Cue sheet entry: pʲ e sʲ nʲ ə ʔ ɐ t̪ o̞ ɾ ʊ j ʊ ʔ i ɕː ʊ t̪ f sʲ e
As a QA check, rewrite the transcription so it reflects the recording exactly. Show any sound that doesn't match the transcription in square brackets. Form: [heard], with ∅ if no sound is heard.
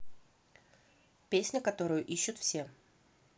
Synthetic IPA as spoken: pʲ e sʲ nʲ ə [k] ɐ t̪ o̞ ɾ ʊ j ʊ ʔ i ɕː ʊ t̪ f sʲ e